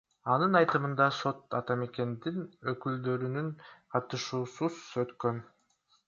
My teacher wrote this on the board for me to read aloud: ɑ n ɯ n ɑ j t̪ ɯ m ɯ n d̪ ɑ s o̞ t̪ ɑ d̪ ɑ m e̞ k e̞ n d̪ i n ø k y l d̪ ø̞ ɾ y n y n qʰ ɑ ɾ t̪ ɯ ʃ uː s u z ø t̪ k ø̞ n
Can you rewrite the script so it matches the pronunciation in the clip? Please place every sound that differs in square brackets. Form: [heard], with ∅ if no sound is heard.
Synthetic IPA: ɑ n ɯ n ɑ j t̪ ɯ m ɯ n d̪ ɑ s o̞ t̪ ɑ [t̪] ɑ m e̞ k e̞ n d̪ i n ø k y l d̪ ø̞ ɾ y n y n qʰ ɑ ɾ t̪ ɯ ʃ uː s u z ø t̪ k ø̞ n